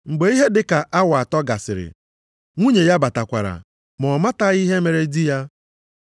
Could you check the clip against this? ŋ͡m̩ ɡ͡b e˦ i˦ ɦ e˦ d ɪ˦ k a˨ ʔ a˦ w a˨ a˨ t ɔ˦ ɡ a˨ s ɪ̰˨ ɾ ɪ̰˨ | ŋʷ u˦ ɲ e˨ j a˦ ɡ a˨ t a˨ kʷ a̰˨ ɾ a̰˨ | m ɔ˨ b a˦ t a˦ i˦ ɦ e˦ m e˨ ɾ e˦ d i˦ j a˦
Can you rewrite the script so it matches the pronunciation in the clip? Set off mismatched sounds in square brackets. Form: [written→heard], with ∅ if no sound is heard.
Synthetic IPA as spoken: ŋ͡m̩ ɡ͡b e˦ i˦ ɦ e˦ d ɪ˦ k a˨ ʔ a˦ w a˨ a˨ t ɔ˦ ɡ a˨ s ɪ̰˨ ɾ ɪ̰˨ | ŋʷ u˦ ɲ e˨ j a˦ [ɡ→b] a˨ t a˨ kʷ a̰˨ ɾ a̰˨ | m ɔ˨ [b→m] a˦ t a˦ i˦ ɦ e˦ m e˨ ɾ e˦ d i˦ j a˦

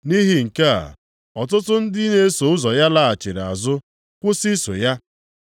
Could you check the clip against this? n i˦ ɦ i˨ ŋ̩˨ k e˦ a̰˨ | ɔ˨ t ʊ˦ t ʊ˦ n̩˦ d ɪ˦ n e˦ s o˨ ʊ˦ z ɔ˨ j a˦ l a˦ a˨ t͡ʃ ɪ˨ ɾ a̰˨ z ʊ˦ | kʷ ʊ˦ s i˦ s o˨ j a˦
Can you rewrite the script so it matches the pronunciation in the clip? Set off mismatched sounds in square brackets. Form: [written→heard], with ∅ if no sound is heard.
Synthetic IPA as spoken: n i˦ ɦ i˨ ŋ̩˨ k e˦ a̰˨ | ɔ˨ t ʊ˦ t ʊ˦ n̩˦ d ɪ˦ n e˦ s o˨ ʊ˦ z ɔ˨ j a˦ l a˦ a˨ t͡ʃ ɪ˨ ɾ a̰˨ z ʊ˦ | kʷ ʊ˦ s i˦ s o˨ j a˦

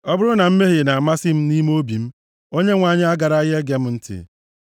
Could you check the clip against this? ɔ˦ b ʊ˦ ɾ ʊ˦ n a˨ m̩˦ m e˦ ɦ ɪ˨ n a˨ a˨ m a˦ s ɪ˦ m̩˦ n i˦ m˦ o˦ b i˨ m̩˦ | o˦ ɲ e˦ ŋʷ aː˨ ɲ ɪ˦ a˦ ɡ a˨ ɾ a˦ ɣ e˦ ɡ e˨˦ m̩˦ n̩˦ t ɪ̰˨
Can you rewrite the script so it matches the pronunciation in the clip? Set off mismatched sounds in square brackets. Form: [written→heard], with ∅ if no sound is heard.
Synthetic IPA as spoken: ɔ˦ b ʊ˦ ɾ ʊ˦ n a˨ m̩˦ m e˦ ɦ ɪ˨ n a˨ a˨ m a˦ s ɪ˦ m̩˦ n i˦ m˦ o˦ b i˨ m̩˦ | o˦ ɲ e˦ ŋʷ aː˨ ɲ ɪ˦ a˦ ɡ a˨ ɾ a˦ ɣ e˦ ɡ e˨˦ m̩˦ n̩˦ t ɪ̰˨

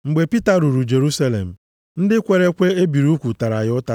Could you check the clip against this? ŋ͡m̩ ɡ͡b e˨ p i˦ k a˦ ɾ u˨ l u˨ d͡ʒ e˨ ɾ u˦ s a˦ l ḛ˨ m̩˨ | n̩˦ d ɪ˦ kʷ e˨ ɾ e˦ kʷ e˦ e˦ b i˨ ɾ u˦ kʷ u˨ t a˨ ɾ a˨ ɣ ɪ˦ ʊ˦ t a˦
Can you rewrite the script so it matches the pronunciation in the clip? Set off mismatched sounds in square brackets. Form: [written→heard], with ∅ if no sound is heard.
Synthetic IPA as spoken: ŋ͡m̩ ɡ͡b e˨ p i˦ [k→t] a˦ ɾ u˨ [l→ɾ] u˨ d͡ʒ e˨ ɾ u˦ s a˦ l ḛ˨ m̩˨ | n̩˦ d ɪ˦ kʷ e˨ ɾ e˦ kʷ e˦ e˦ b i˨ ɾ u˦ kʷ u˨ t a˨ ɾ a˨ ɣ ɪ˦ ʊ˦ t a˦

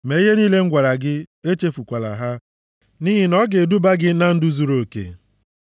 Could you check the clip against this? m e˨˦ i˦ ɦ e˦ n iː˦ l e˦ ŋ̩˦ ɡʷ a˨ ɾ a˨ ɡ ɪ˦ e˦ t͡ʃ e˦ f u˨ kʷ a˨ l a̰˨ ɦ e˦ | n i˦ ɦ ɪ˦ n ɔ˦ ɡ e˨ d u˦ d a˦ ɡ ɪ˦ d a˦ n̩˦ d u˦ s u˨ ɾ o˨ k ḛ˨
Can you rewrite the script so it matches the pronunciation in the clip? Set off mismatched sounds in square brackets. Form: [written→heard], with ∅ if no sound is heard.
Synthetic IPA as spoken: m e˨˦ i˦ ɦ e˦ n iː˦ l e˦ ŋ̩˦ ɡʷ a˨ ɾ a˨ ɡ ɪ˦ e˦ t͡ʃ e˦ f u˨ kʷ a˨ l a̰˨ ɦ [e˦→a˦] | n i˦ ɦ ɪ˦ n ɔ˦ ɡ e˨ d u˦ [d→b] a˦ ɡ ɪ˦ [d→n] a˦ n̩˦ d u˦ [s→z] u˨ ɾ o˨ k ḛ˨

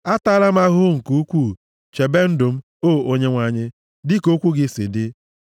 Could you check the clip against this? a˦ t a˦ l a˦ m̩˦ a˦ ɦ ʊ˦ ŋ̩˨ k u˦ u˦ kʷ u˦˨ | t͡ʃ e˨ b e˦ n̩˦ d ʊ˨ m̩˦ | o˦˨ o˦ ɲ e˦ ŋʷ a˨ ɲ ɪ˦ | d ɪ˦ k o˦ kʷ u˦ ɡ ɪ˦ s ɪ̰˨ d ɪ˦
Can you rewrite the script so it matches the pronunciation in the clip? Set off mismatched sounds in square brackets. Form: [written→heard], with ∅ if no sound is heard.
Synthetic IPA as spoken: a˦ t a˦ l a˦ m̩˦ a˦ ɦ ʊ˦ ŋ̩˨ k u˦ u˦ kʷ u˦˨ | t͡ʃ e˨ b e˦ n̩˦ d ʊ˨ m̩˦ | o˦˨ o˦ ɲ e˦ ŋʷ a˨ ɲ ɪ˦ | d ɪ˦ k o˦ kʷ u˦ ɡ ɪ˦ s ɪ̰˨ d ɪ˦

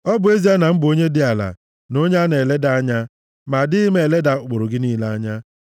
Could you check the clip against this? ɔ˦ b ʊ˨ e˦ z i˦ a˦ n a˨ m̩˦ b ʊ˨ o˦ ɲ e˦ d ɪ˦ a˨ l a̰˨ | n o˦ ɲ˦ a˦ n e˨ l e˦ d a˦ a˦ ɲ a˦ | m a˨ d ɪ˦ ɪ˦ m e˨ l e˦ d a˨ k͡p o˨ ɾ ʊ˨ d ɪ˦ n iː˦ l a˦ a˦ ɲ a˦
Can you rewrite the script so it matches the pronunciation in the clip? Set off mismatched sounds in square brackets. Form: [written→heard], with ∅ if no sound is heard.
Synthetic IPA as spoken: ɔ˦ b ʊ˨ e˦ z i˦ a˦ n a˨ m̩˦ b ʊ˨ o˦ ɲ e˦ d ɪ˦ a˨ l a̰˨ | n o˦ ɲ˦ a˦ n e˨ l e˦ d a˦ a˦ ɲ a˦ | m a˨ d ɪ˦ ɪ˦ m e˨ l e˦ d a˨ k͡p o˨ ɾ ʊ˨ [d→ɡ] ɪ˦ n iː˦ l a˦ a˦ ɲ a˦

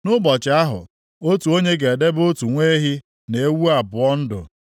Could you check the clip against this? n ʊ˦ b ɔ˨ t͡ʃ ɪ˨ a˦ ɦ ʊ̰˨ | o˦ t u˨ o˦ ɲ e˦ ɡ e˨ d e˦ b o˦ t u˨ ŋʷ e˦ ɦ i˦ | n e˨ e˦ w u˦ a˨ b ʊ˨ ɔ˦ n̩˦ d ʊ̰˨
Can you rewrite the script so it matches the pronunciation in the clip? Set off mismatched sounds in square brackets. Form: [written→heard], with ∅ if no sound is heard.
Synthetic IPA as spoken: n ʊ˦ b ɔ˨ t͡ʃ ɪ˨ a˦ ɦ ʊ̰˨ | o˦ t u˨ o˦ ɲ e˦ ɡ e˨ d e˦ b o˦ t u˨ ŋʷ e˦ ɦ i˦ | n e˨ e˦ w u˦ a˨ b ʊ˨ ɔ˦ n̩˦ d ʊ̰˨

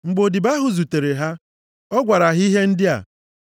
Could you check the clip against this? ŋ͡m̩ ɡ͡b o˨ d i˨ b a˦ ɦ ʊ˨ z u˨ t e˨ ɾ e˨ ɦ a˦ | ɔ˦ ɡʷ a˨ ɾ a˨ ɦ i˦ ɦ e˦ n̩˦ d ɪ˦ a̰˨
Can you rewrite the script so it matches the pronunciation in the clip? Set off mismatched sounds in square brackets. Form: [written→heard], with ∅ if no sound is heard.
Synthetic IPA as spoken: ŋ͡m̩ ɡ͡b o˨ d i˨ b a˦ ɦ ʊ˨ z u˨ t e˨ ɾ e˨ ɦ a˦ | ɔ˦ ɡʷ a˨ ɾ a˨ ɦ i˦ ɦ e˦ n̩˦ d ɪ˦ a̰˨

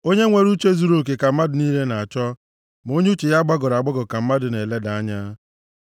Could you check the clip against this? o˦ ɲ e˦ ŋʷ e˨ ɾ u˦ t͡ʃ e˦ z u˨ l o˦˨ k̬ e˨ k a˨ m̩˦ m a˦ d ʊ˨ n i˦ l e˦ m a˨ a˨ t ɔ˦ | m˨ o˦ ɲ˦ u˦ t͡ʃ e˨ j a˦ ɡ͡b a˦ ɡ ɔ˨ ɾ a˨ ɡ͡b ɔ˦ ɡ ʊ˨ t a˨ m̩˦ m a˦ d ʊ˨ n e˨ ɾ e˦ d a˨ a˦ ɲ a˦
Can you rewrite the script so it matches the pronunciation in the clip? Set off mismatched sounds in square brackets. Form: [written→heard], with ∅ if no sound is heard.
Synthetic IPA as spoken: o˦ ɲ e˦ ŋʷ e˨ ɾ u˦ t͡ʃ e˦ z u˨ [l→ɾ] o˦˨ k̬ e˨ k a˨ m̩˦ m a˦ d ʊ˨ n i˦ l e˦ [m→n] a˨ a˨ [t→t͡ʃ] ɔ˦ | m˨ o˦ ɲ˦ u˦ t͡ʃ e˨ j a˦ ɡ͡b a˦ ɡ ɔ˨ ɾ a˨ ɡ͡b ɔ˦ ɡ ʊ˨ [t→k] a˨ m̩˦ m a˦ d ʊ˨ n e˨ [ɾ→l] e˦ d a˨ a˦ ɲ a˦

